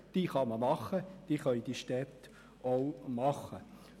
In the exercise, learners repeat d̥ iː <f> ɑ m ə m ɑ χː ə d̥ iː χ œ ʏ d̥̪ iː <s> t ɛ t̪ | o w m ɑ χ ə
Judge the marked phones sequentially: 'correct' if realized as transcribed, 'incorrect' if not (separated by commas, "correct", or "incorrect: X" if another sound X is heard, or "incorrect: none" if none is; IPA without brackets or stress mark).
incorrect: χ, incorrect: ʃ